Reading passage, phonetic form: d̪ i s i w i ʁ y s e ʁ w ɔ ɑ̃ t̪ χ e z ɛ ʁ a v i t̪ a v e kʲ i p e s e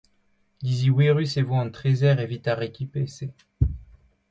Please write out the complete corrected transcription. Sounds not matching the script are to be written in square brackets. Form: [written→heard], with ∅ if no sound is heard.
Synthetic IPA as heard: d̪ i [s→z] i w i ʁ y s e [ʁ→v] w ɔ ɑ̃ t̪ χ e z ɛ ʁ [a→e] v i t̪ a [v→ʁ] e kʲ i p e s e